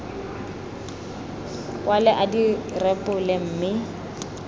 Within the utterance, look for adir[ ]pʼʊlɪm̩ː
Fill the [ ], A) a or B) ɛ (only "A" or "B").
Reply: B